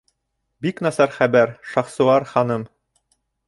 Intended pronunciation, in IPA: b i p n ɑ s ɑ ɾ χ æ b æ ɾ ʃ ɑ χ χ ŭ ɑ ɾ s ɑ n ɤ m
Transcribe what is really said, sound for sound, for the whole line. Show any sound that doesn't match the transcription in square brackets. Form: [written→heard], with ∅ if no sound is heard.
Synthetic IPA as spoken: b i [p→k] n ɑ s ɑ ɾ χ æ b æ ɾ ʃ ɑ χ [χ→s] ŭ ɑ ɾ [s→χ] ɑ n ɤ m

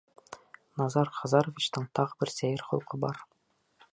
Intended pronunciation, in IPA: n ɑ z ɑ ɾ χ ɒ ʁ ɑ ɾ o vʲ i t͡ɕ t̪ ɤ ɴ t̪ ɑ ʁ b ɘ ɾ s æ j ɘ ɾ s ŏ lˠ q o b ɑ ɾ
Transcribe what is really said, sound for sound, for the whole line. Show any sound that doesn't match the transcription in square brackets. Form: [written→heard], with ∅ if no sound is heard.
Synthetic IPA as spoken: n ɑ z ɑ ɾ χ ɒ [ʁ→z] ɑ ɾ o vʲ i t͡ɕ t̪ ɤ ɴ t̪ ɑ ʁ b ɘ ɾ s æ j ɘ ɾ [s→χ] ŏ lˠ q [o→ɤ] b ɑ ɾ

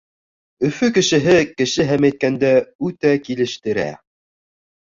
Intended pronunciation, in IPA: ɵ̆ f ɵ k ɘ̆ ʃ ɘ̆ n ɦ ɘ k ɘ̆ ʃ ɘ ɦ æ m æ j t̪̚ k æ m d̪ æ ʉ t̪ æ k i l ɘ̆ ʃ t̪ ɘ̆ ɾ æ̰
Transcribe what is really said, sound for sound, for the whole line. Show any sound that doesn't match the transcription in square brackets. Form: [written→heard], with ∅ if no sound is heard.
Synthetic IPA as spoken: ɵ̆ f ɵ k ɘ̆ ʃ ɘ̆ [n→∅] ɦ ɘ k ɘ̆ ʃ ɘ ɦ æ m æ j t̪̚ k æ [m→n] d̪ æ ʉ t̪ æ k i l ɘ̆ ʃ t̪ ɘ̆ ɾ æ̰

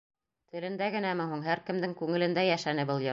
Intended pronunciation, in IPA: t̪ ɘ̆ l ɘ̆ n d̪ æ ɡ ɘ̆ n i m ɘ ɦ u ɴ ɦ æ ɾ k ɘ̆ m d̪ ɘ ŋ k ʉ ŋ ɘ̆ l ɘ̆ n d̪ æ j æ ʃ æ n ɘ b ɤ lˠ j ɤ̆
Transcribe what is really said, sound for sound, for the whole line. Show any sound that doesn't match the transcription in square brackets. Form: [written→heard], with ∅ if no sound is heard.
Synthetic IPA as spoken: t̪ ɘ̆ l ɘ̆ n d̪ æ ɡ ɘ̆ n [i→æ] m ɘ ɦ u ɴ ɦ æ ɾ k ɘ̆ m d̪ ɘ ŋ k ʉ ŋ ɘ̆ l ɘ̆ n d̪ æ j æ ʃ æ n ɘ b ɤ lˠ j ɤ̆

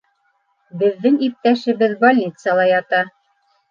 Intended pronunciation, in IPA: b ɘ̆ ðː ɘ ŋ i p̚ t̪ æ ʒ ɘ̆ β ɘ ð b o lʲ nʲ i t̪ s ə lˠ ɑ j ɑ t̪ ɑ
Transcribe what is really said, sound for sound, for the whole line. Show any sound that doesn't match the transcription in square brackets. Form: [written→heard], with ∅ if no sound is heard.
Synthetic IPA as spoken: b ɘ̆ ðː ɘ ŋ i p̚ t̪ æ [ʒ→ʃ] ɘ̆ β ɘ ð b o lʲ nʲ i t̪ s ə lˠ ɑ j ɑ t̪ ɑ

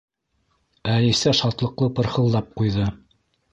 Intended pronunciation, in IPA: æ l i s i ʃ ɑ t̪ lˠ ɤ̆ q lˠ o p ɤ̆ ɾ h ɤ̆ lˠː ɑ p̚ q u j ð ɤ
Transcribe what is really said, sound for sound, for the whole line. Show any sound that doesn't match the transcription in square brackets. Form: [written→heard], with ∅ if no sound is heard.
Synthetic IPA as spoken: æ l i s [i→æ] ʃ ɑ t̪ lˠ ɤ̆ q lˠ [o→ɤ] p ɤ̆ ɾ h ɤ̆ lˠː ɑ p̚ q u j ð ɤ

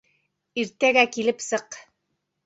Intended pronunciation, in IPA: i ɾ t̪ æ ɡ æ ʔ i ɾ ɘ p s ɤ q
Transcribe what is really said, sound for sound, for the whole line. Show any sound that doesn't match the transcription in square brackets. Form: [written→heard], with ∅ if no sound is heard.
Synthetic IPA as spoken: i ɾ t̪ æ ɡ æ [ʔ→k] i [ɾ→l] ɘ p s ɤ q

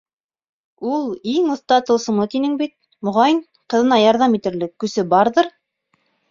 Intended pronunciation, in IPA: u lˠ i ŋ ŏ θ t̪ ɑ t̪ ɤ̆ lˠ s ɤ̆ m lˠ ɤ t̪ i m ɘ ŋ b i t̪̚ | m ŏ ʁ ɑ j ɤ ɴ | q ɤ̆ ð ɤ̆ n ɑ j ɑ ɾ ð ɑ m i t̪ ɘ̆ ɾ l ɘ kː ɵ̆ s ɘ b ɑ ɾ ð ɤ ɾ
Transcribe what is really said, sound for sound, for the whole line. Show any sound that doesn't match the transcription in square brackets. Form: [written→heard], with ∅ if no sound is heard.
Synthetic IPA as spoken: u lˠ i ŋ ŏ θ t̪ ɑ t̪ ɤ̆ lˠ s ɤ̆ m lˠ ɤ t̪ i [m→n] ɘ ŋ b i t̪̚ | m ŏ ʁ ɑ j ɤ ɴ | q ɤ̆ ð ɤ̆ n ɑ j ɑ ɾ ð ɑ m i t̪ ɘ̆ ɾ l ɘ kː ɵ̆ s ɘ b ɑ ɾ ð ɤ ɾ

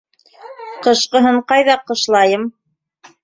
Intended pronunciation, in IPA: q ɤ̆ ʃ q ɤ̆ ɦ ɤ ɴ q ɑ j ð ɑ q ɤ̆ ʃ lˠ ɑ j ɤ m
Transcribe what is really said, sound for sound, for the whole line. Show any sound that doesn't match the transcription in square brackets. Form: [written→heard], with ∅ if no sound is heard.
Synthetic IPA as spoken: q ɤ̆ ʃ q ɤ̆ ɦ ɤ ɴ q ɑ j ð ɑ q ɤ̆ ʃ lˠ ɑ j ɤ m

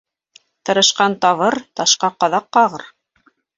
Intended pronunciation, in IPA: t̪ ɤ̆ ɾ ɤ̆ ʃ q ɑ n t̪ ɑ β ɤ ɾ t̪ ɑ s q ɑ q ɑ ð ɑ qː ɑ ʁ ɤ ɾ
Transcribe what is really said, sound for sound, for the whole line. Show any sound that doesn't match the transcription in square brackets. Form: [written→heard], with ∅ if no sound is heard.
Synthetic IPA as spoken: t̪ ɤ̆ ɾ ɤ̆ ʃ q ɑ n t̪ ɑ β ɤ ɾ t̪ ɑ [s→ʃ] q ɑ q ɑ ð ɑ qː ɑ ʁ ɤ ɾ

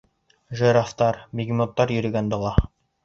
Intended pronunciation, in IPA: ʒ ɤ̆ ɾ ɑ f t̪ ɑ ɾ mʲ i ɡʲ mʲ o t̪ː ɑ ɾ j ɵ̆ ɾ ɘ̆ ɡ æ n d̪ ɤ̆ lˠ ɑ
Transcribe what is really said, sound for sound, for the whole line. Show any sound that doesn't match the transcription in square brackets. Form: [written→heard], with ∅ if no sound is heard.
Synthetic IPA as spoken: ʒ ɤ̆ ɾ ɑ f t̪ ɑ ɾ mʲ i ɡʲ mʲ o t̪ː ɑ ɾ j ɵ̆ ɾ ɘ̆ ɡ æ n d̪ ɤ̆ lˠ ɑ

